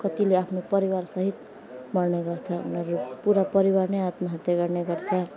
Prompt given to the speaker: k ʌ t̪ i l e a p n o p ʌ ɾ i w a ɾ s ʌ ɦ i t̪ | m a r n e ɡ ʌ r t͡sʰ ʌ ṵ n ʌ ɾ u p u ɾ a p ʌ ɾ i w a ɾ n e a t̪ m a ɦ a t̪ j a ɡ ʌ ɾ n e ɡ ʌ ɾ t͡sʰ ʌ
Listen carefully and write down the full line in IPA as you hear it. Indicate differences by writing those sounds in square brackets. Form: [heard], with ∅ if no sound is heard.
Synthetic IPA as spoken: k ʌ t̪ i l e a [pʰ] n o p ʌ ɾ i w a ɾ s ʌ ɦ i t̪ | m [ʌ] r n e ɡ ʌ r t͡sʰ ʌ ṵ n ʌ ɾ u p u ɾ a p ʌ ɾ i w a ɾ n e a t̪ m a ɦ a t̪ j a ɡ ʌ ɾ n e ɡ ʌ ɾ t͡sʰ ʌ